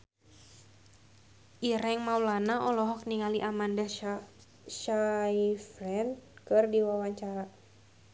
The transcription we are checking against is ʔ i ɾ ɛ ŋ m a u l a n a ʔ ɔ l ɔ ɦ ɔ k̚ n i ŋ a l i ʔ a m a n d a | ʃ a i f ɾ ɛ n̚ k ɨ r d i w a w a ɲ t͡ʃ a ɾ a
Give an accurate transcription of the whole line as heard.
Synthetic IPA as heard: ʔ i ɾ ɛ ŋ m a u l a n a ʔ ɔ l ɔ ɦ ɔ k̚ n i ŋ a l i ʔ a m a n d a | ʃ a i f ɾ ɛ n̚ k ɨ r d i w a w a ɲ t͡ʃ a ɾ a